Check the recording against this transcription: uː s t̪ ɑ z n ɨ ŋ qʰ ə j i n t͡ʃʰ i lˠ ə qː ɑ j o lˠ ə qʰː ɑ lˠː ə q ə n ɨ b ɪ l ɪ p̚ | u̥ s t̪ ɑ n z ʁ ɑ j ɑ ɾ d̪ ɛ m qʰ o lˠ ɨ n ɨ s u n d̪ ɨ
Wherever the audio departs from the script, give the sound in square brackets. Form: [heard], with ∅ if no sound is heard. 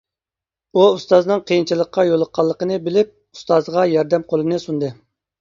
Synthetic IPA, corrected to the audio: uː s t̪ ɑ z n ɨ ŋ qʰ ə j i n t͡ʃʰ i lˠ ə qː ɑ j o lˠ ə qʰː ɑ lˠː ə q ə n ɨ b ɪ l ɪ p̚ | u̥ s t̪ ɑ [∅] z ʁ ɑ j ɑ ɾ d̪ ɛ m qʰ o lˠ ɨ n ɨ s u n d̪ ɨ